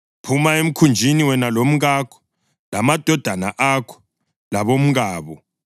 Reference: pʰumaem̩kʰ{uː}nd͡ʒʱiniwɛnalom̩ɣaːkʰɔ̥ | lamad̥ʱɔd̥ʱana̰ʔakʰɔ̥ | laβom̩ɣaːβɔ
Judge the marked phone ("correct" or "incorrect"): incorrect